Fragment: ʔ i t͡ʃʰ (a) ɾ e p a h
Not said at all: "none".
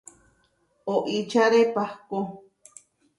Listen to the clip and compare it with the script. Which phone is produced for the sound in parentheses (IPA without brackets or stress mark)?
a